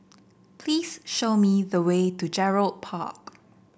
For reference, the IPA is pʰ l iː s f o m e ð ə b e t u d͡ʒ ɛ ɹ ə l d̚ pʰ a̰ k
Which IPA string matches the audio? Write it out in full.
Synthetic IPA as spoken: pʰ l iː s ʃ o m i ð ə w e t u d͡ʒ ɛ ɹ ə l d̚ pʰ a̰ k